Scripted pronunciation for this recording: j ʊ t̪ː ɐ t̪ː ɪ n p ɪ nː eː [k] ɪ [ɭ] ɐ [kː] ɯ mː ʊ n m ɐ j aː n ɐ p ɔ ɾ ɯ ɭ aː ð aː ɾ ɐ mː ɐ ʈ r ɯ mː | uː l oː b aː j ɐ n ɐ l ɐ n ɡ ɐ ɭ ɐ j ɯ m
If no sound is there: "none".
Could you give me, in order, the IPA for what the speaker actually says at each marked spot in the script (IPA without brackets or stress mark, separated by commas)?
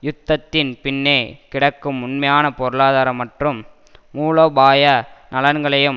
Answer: k, ɽ, kː